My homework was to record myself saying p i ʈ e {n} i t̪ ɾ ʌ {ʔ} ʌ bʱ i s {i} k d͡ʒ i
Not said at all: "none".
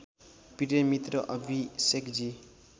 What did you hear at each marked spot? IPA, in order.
m, ʔ, e

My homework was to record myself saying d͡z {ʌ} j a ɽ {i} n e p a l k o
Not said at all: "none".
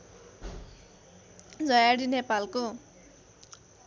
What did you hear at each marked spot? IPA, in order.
ʌ, i

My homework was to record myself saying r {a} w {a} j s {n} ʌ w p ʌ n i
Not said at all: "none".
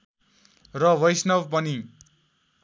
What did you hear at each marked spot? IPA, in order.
ʌ, ʌ, n

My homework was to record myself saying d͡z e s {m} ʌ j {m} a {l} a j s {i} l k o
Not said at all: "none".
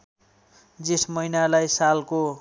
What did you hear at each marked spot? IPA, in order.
m, n, l, a

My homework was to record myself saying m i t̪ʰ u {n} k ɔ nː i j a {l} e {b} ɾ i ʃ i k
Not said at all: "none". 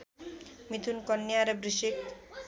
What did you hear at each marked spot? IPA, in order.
n, ɾ, b

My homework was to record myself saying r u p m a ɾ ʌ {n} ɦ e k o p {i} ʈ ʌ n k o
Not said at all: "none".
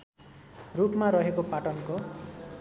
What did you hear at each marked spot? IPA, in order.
none, a

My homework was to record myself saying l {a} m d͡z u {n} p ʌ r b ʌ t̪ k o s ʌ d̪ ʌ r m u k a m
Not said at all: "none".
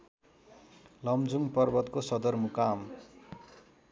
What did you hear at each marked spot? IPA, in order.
ʌ, ŋ

